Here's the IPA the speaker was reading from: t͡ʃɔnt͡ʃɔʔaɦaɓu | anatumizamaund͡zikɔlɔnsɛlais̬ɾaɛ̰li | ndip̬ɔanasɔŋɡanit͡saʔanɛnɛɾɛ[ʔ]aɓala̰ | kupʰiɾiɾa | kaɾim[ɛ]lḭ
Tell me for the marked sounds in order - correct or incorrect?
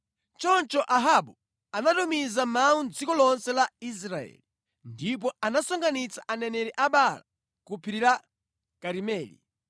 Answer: correct, incorrect: ɛː

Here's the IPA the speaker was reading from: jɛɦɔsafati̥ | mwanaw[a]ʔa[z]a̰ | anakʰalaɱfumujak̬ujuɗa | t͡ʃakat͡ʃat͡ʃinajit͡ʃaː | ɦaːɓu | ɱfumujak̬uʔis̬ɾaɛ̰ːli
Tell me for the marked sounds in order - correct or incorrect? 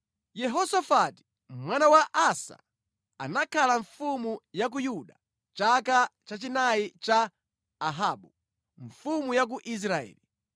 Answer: correct, incorrect: s

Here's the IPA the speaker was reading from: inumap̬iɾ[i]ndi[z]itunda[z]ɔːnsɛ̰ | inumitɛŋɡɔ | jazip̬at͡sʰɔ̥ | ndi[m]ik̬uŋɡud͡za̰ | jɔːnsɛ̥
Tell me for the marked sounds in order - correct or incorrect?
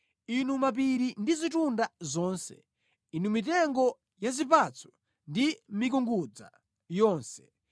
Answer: correct, correct, correct, correct

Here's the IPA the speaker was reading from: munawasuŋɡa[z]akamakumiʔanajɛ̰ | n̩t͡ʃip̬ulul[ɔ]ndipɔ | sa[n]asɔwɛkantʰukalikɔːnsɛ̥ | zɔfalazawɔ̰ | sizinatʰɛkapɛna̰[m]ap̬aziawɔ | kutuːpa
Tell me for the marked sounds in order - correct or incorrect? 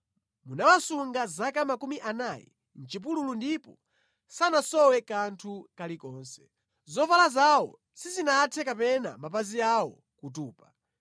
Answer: correct, incorrect: u, correct, correct

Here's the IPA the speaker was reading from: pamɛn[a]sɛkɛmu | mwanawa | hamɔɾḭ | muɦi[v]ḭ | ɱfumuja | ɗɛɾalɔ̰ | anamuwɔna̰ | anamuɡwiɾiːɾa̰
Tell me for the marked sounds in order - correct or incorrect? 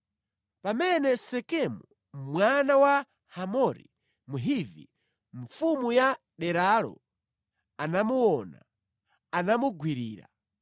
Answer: incorrect: ɛ, correct

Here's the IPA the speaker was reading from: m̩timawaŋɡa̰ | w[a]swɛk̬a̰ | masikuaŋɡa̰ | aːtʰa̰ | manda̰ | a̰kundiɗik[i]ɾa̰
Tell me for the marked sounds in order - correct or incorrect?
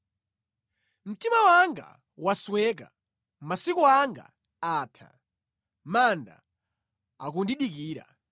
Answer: correct, incorrect: iː

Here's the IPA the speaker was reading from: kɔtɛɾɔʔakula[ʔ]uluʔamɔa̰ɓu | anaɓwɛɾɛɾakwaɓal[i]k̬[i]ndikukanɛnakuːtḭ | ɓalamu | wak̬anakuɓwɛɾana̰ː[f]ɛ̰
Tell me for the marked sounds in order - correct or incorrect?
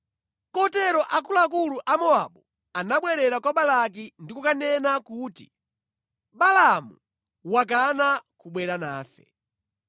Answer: incorrect: k, incorrect: a, correct, correct

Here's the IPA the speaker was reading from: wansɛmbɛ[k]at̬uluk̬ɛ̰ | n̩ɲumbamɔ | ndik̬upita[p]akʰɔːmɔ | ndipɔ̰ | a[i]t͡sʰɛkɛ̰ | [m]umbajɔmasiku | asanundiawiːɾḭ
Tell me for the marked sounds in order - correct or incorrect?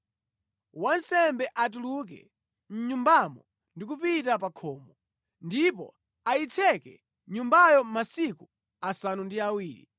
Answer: incorrect: ʔ, correct, correct, incorrect: ɲ

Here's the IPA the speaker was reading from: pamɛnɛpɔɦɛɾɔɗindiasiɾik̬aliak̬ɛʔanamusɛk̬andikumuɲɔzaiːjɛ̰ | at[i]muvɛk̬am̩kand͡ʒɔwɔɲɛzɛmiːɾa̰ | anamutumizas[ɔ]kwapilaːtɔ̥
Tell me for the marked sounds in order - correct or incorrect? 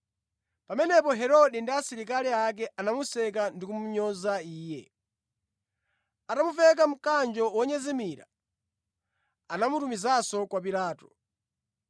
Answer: incorrect: a, correct

